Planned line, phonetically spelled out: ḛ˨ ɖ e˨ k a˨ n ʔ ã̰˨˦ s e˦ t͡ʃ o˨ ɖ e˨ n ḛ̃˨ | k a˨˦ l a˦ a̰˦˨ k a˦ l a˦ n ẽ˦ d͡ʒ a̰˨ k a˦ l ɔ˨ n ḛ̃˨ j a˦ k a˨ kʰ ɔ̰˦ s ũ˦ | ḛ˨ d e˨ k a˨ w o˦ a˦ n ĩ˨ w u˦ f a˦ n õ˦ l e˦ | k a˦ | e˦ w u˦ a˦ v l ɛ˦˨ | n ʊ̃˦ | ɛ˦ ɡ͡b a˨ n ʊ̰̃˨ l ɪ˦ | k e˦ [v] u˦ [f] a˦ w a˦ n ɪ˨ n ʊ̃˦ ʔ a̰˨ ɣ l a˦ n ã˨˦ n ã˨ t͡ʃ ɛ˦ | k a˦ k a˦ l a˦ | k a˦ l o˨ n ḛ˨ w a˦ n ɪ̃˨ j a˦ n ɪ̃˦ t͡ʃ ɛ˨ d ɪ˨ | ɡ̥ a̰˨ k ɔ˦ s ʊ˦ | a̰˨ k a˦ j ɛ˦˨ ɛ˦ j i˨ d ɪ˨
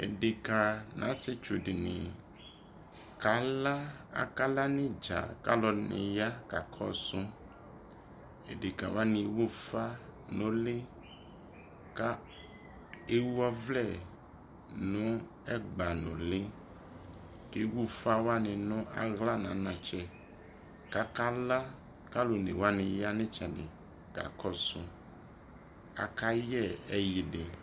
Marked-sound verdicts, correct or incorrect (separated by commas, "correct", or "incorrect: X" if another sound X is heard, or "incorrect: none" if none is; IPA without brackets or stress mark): incorrect: w, correct